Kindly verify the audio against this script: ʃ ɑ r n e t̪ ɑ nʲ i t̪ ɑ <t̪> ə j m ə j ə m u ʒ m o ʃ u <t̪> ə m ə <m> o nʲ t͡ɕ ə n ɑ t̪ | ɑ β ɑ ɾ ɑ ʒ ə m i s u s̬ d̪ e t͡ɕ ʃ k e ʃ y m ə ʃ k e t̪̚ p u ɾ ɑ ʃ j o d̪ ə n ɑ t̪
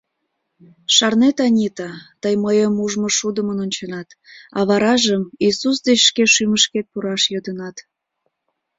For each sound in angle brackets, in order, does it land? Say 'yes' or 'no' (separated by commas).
yes, no, no